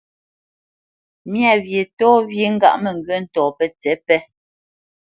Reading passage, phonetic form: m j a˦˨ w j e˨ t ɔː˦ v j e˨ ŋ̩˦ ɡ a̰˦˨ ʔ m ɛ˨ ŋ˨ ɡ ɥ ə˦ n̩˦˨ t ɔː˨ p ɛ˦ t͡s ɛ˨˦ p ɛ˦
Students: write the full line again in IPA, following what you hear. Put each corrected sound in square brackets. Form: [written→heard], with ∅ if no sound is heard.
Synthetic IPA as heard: m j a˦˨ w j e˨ t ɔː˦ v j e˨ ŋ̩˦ ɡ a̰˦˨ ʔ m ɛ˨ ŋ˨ ɡ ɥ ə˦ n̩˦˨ t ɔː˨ p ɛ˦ t͡s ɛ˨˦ p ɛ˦